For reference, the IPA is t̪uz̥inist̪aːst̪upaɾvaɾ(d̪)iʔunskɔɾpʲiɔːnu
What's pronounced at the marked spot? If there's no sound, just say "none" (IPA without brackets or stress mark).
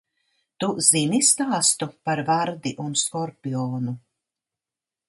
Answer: d̪